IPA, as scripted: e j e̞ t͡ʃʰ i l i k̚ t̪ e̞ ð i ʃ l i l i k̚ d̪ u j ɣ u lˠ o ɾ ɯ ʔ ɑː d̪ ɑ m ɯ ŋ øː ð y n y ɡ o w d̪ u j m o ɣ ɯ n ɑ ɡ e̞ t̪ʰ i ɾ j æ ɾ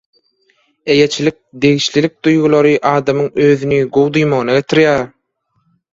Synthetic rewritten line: e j e̞ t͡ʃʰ i l i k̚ d̪ e̞ ɣ i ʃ l i l i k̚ d̪ u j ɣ u lˠ o ɾ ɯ ʔ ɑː d̪ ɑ m ɯ ŋ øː ð y n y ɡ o w d̪ u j m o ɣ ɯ n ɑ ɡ e̞ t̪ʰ i ɾ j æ ɾ